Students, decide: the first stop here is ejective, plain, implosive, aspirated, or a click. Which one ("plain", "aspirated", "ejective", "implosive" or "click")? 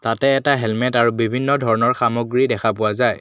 plain